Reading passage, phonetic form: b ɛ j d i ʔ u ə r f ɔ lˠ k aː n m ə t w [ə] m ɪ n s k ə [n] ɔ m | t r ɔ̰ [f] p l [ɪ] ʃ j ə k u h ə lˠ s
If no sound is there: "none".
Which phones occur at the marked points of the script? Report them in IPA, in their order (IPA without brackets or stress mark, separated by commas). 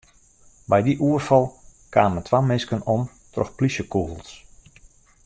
a, n, x, i